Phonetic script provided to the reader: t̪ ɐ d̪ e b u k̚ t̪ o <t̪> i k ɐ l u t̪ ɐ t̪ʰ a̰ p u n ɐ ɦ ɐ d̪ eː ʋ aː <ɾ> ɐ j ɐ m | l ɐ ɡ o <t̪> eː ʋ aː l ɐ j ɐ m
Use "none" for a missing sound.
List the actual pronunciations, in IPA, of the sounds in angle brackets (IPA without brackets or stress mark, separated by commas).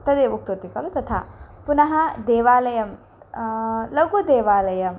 t̪, l, d̪